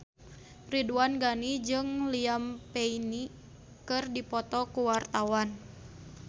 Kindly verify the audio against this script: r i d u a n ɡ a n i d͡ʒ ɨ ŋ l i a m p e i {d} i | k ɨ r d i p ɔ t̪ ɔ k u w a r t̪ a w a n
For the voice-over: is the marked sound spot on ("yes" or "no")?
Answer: no